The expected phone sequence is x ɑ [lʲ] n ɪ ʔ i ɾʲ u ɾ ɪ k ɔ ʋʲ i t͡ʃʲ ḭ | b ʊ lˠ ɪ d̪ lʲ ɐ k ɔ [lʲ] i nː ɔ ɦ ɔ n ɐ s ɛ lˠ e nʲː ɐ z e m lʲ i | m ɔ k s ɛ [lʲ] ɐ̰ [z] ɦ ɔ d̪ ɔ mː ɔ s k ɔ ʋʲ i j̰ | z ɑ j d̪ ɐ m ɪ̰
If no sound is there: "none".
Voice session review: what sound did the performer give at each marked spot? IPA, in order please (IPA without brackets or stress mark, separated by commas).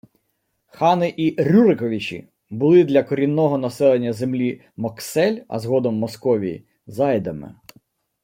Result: none, ɾʲ, lʲ, z